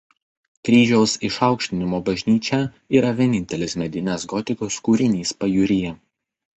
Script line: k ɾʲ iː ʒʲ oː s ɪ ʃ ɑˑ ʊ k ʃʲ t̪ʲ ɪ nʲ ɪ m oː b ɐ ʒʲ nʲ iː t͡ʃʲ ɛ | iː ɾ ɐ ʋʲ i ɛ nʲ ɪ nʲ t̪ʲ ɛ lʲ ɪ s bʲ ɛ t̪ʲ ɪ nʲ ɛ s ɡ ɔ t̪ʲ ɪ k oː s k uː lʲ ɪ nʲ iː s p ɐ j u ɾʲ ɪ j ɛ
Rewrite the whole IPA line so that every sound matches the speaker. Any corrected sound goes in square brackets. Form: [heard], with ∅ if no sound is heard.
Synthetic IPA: k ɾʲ iː ʒʲ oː s ɪ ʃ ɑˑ ʊ k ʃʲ t̪ʲ ɪ nʲ ɪ m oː b ɐ ʒʲ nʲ iː t͡ʃʲ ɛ | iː ɾ ɐ ʋʲ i ɛ nʲ ɪ nʲ t̪ʲ ɛ lʲ ɪ s [mʲ] ɛ [d̪ʲ] ɪ nʲ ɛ s ɡ ɔ t̪ʲ ɪ k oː s k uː [ɾʲ] ɪ nʲ iː s p ɐ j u ɾʲ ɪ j ɛ